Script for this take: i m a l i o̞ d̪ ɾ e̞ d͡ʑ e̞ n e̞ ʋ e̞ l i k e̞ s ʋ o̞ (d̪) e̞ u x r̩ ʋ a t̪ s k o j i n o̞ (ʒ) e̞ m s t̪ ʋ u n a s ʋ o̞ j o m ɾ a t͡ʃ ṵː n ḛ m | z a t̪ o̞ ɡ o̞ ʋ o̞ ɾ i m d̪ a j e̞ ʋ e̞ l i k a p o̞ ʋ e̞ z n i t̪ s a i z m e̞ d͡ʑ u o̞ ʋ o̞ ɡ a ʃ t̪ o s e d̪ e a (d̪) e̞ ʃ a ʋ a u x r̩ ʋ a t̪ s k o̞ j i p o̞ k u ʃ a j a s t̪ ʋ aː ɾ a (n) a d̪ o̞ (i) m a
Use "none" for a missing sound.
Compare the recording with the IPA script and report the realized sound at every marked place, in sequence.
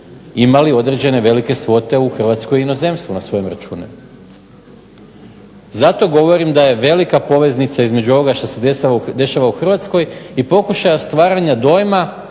t̪, z, d̪, ɲ, j

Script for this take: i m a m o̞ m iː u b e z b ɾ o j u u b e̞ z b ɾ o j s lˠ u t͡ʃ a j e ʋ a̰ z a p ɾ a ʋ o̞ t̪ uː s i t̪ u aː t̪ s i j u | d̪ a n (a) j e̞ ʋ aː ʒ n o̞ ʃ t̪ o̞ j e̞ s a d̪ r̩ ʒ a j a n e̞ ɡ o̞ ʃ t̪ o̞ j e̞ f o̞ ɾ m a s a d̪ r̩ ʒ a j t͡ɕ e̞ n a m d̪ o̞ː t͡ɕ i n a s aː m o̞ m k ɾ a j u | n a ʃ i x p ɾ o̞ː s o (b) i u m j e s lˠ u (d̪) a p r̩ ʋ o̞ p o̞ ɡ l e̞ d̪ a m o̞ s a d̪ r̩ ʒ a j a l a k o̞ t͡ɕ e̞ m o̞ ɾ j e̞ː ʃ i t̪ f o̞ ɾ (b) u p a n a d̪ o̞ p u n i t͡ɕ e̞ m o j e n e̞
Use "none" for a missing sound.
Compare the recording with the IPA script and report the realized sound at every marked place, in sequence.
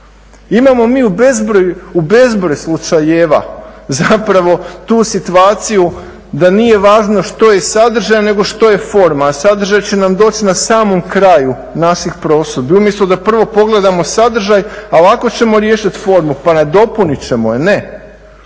i, b, d̪, m

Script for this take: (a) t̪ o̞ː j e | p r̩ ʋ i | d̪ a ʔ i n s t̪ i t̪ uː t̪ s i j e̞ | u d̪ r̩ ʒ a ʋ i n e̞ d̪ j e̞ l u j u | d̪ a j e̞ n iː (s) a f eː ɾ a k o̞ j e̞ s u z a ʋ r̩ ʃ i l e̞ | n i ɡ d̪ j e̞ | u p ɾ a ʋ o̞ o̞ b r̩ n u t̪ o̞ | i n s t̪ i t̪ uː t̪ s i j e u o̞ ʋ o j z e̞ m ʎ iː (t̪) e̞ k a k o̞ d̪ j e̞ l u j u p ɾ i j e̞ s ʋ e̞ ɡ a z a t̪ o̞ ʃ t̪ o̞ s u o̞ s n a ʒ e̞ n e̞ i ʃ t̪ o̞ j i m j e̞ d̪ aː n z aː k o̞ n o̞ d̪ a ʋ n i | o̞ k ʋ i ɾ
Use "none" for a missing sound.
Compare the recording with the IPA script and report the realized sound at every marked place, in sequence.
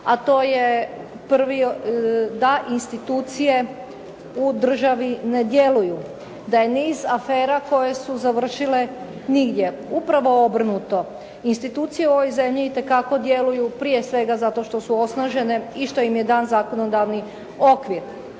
a, z, t̪

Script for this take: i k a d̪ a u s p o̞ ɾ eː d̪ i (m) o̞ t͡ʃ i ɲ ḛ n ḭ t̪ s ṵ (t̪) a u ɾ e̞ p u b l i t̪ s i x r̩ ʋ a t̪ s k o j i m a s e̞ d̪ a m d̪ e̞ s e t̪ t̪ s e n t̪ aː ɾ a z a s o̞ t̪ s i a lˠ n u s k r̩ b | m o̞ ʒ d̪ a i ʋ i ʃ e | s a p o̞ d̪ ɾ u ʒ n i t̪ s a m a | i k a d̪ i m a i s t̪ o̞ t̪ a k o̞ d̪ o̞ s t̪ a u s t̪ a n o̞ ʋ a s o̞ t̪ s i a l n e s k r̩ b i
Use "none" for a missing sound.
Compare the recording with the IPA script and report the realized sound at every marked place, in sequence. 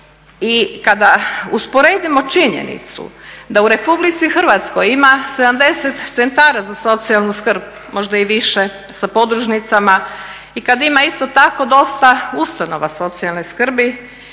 m, d̪

